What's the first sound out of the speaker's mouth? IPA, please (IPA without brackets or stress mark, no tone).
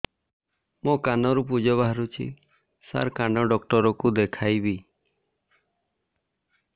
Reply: m